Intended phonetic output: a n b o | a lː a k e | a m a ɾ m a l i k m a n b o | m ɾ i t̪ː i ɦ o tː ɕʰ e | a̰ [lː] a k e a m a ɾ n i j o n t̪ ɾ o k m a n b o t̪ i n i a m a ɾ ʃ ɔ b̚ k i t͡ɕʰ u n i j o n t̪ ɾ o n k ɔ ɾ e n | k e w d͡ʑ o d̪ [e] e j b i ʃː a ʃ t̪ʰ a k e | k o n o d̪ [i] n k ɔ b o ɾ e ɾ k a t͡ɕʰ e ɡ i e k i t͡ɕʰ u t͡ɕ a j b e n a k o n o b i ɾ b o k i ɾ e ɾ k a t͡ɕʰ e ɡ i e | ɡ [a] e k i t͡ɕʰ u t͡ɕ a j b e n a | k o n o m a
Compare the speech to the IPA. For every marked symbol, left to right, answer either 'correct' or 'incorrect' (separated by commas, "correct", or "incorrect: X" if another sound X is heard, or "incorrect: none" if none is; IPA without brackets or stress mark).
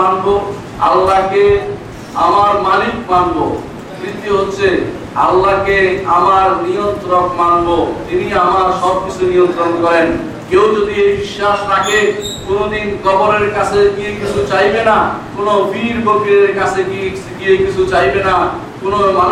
correct, incorrect: i, correct, incorrect: i